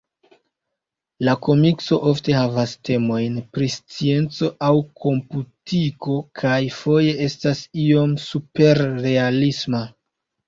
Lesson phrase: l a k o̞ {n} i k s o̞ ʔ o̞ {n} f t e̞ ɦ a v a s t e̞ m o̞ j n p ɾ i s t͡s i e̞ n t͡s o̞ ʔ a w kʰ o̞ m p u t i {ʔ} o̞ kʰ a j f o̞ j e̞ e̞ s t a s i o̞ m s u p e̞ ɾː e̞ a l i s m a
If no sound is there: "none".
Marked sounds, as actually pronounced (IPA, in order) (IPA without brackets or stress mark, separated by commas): m, none, k